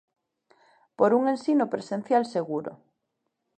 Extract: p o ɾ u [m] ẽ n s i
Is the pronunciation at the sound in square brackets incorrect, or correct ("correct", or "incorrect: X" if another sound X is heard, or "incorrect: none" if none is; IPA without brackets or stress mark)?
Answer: incorrect: ŋ